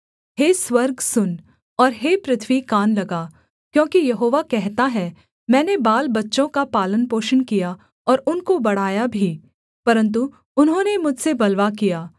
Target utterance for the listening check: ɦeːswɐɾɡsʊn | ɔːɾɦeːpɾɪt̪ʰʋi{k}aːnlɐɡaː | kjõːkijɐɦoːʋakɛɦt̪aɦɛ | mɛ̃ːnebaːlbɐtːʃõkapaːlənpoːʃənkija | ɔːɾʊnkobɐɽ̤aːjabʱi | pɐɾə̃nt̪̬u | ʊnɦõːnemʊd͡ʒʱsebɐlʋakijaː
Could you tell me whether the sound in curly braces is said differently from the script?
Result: no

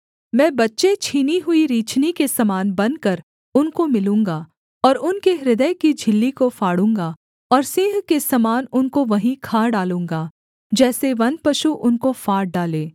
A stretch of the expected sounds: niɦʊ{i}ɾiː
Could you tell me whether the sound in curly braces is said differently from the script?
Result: no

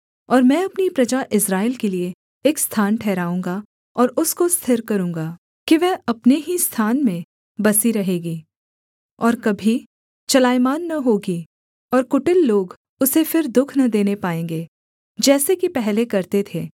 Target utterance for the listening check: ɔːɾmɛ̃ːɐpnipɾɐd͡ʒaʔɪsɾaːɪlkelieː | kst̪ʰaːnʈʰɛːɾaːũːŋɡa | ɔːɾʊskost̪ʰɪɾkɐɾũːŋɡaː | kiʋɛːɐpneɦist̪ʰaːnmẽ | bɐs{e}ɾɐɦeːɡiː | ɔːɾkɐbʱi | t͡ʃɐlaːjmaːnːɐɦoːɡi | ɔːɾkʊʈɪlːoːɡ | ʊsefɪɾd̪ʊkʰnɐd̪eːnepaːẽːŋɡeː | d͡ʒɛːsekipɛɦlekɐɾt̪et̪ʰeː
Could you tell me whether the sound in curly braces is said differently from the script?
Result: yes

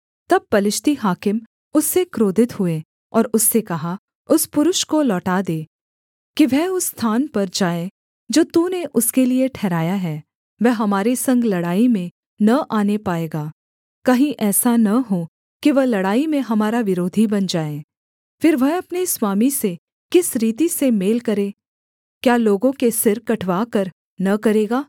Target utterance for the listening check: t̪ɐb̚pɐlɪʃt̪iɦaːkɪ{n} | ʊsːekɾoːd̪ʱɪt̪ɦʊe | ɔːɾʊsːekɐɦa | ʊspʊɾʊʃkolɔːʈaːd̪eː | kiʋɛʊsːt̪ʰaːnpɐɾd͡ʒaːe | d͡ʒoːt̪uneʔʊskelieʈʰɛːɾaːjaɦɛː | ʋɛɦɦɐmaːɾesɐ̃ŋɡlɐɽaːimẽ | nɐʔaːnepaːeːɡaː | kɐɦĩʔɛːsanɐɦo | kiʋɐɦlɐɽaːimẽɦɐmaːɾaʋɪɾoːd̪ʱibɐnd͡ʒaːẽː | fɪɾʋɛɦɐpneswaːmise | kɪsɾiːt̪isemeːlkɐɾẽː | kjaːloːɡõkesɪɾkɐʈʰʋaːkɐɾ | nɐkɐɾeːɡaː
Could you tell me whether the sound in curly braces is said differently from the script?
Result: yes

